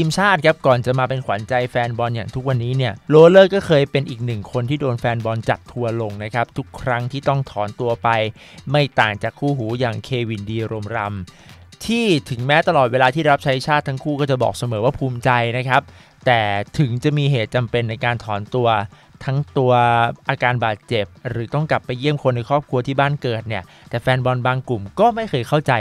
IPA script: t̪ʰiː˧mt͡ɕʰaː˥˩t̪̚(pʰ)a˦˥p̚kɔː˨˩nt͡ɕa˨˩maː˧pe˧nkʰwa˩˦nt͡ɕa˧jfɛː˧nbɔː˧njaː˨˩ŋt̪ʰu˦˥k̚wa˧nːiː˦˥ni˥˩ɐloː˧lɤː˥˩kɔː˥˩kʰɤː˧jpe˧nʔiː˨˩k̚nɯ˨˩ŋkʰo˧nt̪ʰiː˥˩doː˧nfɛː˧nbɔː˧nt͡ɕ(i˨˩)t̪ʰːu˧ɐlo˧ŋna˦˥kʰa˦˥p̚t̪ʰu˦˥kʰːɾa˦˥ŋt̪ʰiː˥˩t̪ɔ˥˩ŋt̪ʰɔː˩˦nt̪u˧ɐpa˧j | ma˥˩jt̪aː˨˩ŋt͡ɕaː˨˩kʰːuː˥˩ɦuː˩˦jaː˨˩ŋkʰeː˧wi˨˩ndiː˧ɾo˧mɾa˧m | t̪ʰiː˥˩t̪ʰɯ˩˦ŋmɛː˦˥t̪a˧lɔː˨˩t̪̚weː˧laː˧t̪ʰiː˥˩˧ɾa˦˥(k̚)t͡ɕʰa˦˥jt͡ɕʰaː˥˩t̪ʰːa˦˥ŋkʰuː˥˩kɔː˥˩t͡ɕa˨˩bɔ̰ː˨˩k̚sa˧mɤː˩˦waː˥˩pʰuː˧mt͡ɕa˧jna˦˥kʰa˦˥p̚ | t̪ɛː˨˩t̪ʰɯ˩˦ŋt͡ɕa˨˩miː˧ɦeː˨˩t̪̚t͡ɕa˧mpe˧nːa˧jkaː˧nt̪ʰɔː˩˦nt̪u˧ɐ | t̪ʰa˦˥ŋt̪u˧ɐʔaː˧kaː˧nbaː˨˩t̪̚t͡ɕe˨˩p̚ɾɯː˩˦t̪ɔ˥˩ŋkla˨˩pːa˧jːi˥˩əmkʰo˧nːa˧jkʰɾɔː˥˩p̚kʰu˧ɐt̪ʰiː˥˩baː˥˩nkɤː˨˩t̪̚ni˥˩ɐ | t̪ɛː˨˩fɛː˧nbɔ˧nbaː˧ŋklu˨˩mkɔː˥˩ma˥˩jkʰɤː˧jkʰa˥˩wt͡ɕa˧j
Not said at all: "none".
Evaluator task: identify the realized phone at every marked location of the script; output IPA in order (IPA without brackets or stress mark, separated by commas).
kʰ, a˨˩, p̚